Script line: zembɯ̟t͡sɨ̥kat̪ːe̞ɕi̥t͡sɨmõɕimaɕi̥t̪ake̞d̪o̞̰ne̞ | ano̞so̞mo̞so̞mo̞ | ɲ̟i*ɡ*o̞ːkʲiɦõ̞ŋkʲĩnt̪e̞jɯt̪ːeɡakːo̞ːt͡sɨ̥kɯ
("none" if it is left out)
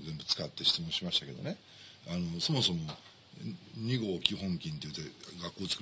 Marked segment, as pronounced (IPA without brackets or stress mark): ɡ